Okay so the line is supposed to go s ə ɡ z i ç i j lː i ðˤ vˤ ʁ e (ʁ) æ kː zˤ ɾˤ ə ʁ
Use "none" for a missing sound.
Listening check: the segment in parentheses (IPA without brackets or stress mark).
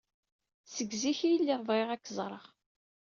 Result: ʁ